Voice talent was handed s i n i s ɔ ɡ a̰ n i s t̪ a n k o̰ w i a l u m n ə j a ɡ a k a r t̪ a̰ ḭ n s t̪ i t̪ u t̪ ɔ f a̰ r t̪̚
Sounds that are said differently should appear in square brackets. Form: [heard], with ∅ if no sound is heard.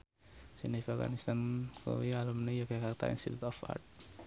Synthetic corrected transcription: s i n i [f] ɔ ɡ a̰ n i s t̪ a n k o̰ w i a l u m n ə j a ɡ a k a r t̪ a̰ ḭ n s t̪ i t̪ u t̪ ɔ f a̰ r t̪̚